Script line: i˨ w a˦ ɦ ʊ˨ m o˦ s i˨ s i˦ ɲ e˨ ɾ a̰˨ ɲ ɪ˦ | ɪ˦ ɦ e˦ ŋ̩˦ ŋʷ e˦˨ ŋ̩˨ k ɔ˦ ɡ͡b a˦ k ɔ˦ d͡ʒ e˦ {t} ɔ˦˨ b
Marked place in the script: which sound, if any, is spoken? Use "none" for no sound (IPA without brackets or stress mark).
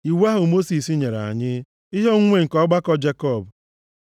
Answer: k